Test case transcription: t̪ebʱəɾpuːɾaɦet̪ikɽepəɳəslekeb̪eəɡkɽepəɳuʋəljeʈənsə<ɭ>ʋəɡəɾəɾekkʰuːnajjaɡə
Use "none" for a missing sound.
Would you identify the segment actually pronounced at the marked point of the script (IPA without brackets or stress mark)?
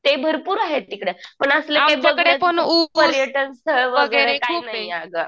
ɭ